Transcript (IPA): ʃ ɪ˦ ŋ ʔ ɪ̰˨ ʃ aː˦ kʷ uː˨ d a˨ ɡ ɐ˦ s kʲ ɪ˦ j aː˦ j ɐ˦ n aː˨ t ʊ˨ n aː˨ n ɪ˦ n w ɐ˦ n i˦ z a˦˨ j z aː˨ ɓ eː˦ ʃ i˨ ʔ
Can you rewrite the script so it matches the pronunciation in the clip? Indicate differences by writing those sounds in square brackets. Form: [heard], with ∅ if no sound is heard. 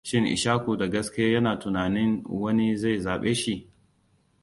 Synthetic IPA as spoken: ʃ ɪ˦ ŋ ʔ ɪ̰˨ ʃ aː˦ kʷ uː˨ d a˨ ɡ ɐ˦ s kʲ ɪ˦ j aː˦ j ɐ˦ n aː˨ t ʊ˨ n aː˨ n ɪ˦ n w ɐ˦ n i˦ z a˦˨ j z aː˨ ɓ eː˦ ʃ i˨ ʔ